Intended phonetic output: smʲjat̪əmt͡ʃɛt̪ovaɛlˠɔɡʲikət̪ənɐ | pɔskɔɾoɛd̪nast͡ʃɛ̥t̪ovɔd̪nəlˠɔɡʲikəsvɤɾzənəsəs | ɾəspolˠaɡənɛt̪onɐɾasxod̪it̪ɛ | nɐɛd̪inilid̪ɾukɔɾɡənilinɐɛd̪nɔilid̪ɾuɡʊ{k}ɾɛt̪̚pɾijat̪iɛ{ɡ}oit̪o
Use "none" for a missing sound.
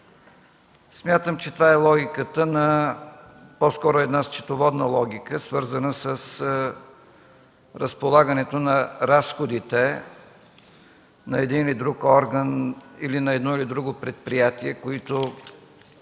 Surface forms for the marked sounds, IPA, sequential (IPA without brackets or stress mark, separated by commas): p, k